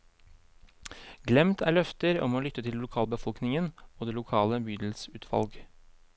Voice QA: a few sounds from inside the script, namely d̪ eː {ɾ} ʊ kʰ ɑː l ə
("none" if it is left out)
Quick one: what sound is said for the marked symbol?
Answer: l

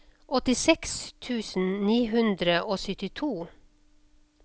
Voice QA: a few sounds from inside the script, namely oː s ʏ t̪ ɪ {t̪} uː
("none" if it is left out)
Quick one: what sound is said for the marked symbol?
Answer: t̪ʰ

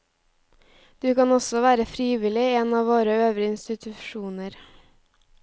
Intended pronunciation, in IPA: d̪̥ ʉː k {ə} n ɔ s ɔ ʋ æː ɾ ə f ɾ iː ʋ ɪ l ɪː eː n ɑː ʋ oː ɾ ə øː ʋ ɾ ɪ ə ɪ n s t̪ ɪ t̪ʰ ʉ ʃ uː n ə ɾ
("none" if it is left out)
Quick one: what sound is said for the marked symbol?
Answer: ɑ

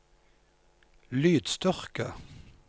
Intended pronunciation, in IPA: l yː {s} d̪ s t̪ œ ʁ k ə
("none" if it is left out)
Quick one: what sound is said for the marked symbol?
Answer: none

